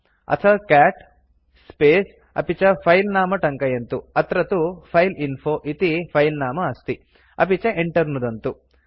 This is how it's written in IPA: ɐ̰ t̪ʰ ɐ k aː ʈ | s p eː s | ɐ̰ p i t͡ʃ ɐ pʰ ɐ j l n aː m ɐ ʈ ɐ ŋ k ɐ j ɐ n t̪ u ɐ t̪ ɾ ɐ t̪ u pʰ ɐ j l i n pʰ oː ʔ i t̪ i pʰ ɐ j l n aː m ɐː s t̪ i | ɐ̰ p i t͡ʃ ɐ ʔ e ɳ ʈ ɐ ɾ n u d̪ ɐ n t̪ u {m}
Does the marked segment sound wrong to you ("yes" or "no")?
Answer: yes